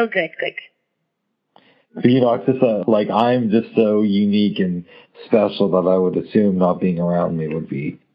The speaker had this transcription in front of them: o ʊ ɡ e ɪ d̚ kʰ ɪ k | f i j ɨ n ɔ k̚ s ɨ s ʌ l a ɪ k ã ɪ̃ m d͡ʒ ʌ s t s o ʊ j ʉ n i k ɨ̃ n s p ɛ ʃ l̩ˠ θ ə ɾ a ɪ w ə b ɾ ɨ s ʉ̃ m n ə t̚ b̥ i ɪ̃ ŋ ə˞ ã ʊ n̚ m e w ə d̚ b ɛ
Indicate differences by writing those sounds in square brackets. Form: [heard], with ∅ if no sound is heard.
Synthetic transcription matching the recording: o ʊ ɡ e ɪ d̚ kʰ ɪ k | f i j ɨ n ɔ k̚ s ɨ s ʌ l a ɪ k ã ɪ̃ m d͡ʒ ʌ s t s o ʊ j ʉ n i k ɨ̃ n s p ɛ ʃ l̩ˠ [ð] ə ɾ a ɪ w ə [∅] ɾ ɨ s ʉ̃ m n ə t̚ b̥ i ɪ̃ ŋ ə˞ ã [ʊ̃] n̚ m [i] w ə d̚ b [i]